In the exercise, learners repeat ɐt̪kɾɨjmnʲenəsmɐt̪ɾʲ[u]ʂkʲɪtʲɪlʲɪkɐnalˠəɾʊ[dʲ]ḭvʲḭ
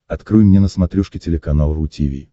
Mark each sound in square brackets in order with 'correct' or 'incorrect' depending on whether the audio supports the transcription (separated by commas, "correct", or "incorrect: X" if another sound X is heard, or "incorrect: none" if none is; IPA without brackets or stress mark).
correct, incorrect: tʲ